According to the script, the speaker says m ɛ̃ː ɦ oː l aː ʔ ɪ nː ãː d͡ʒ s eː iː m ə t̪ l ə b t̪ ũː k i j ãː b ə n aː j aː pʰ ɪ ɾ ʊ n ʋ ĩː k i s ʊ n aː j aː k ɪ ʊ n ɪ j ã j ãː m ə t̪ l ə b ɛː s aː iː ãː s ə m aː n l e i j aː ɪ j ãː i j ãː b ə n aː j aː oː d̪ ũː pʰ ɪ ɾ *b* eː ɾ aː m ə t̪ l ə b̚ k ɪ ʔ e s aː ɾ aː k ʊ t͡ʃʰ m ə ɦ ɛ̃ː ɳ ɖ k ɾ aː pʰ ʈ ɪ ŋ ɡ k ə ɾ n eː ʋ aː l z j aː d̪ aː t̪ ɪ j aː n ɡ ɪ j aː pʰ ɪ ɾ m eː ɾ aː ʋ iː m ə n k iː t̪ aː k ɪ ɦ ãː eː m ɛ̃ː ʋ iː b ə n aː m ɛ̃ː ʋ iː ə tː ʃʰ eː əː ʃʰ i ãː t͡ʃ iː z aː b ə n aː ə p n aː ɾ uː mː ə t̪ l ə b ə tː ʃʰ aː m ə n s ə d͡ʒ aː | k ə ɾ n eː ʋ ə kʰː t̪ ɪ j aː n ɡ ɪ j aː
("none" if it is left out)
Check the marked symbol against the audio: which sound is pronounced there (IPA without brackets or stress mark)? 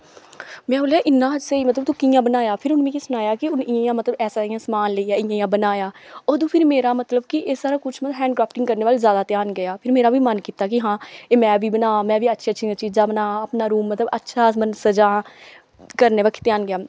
m